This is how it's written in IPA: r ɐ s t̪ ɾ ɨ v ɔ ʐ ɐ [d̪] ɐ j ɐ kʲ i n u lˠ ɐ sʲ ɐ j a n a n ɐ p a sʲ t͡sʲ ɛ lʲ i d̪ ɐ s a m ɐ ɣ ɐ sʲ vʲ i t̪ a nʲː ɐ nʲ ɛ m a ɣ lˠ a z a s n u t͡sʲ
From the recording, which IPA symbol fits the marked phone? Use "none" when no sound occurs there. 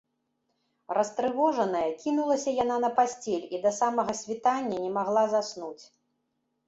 n̪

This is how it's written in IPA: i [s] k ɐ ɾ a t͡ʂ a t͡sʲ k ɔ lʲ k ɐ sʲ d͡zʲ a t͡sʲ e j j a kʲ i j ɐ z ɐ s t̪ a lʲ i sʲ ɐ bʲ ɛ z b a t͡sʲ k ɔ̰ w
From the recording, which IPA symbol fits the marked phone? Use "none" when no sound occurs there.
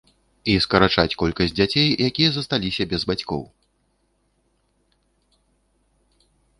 s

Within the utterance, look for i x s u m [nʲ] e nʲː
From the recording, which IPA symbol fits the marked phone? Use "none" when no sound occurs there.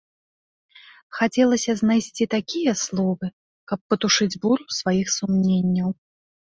nʲ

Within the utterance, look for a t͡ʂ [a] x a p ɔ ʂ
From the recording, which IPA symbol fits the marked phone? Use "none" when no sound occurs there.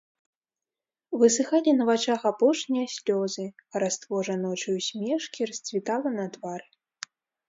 a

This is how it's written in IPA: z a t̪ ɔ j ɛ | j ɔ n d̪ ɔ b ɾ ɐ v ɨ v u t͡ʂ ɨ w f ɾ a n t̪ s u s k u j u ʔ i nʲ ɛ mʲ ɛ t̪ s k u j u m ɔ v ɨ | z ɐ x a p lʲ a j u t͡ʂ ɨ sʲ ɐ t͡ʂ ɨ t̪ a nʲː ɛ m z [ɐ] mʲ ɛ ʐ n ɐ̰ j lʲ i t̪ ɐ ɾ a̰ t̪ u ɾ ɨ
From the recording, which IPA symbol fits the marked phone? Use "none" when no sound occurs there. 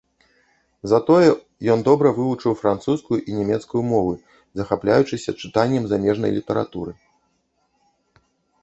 a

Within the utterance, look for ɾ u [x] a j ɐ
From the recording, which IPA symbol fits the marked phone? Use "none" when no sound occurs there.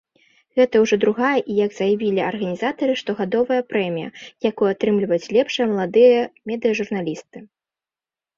ɣ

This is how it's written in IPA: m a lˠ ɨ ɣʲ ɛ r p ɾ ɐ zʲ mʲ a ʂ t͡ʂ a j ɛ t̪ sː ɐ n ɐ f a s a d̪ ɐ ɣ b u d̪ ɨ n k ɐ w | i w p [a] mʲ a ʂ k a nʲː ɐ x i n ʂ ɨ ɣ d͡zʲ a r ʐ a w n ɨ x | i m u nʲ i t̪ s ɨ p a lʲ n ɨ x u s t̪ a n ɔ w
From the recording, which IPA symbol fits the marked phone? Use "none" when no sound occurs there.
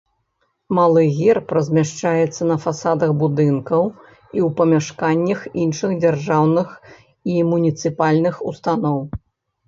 ɐ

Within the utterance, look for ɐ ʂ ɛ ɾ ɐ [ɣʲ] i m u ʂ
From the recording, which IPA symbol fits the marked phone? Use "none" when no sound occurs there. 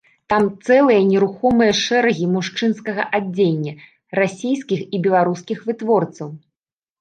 ɣʲ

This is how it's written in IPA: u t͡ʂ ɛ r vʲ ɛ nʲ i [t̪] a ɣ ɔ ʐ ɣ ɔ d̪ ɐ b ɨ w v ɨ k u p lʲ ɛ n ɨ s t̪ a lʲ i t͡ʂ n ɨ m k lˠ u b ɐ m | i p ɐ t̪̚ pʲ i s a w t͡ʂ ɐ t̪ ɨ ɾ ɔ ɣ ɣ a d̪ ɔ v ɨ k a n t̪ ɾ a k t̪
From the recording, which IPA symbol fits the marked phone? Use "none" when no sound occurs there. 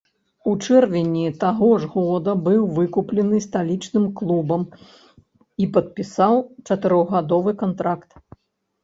t̪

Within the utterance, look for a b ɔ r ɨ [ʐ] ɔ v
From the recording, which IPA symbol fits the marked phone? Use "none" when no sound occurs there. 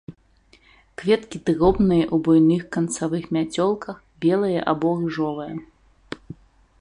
ʐ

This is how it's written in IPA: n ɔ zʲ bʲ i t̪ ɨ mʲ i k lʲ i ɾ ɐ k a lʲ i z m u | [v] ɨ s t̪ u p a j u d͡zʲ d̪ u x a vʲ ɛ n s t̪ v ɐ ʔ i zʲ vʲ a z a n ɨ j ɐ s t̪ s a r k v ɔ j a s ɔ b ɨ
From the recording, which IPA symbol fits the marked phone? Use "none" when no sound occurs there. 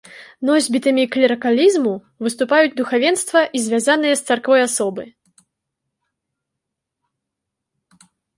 v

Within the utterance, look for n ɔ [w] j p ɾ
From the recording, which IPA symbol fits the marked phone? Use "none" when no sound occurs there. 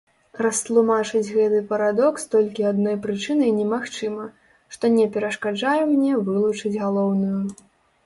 none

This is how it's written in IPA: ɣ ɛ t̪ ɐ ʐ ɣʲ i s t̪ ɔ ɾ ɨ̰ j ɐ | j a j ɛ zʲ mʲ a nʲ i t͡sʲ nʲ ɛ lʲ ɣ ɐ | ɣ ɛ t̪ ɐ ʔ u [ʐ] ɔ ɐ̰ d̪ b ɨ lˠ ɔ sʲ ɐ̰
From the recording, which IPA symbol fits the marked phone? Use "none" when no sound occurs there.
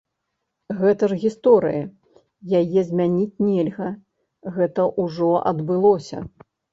ʐ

